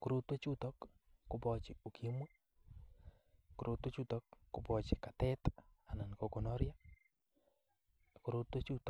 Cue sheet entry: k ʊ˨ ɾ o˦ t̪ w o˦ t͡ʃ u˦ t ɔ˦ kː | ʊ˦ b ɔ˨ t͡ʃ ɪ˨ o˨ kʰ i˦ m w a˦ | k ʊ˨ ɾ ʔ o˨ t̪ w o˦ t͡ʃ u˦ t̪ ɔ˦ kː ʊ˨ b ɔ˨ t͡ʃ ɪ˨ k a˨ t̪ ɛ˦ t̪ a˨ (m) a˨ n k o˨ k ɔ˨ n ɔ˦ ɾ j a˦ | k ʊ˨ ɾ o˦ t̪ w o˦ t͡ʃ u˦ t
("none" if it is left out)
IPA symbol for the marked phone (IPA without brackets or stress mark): n